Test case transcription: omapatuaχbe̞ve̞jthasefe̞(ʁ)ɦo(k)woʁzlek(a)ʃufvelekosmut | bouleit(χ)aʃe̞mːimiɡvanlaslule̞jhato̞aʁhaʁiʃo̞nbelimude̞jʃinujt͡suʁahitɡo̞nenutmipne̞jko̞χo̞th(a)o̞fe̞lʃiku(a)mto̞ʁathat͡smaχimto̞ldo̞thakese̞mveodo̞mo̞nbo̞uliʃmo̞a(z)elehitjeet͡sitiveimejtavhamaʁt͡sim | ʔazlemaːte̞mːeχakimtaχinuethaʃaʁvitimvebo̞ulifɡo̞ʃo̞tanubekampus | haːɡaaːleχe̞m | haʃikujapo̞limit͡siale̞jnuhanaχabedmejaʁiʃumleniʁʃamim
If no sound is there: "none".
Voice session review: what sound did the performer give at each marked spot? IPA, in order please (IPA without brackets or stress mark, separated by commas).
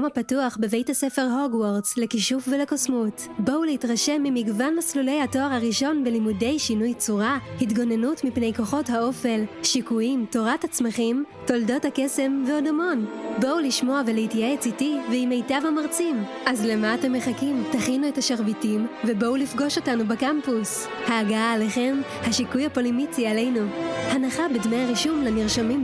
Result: ʁ, ɡ, i, ʁ, a, i, v